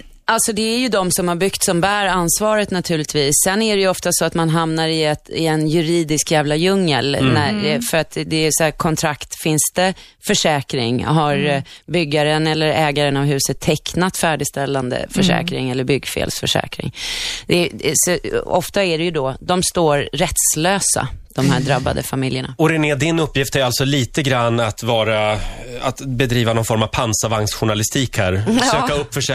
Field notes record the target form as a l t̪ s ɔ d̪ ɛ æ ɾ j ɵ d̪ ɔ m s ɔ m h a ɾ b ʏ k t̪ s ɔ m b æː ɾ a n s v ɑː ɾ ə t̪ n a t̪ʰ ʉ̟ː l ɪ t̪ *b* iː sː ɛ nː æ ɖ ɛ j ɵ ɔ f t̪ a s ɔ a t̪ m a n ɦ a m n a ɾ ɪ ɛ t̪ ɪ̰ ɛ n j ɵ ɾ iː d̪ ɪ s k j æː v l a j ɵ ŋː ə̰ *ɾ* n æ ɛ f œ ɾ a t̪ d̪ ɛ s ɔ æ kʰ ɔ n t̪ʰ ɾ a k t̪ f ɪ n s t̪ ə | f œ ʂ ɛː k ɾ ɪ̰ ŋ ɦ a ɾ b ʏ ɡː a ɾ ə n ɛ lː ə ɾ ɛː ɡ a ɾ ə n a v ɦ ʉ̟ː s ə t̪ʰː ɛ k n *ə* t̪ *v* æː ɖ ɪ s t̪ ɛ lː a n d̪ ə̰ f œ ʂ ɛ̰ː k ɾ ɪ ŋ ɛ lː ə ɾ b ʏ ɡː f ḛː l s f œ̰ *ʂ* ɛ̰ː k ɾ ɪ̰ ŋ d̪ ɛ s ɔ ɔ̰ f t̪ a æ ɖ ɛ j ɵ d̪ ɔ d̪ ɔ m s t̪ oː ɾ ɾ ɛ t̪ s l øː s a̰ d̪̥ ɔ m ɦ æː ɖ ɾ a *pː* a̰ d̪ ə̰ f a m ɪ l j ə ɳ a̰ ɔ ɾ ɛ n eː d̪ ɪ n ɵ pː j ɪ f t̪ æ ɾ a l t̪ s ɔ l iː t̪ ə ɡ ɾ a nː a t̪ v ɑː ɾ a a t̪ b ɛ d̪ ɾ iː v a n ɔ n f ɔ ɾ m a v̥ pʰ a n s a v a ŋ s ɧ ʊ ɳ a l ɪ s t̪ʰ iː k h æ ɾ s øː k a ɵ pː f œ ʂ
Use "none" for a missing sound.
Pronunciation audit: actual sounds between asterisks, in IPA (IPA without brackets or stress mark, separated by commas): v, l, a, f, ʂ, bː